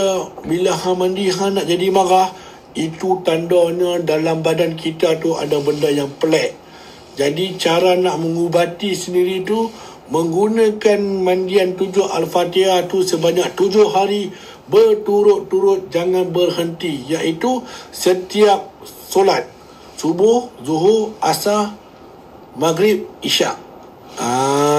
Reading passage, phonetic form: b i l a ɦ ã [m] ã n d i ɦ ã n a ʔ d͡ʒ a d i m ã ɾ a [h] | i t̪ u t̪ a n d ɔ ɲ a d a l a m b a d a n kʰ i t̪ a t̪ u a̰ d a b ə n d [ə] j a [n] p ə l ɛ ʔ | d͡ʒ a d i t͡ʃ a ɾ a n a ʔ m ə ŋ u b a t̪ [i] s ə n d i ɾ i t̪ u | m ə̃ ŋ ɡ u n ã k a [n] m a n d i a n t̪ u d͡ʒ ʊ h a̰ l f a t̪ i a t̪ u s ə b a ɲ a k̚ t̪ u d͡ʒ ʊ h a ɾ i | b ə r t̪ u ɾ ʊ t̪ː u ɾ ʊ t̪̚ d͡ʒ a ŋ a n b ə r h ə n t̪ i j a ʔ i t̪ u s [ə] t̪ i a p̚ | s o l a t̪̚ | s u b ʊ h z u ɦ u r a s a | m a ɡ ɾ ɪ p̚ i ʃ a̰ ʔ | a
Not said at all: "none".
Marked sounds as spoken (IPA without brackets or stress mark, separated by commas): m, h, a, ŋ, i, n, ə